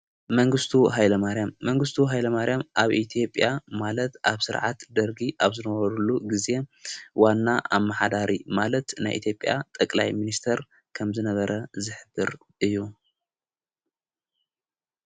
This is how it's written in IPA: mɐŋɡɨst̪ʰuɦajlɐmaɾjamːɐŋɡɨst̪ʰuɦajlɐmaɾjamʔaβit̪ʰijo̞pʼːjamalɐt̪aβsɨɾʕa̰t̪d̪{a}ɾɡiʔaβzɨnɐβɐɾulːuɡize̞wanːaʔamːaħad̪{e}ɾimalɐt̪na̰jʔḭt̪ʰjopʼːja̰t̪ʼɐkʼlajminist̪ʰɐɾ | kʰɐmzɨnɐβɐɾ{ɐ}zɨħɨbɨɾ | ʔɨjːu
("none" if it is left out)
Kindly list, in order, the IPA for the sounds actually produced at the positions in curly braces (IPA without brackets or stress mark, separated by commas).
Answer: ɐ, a, ɐ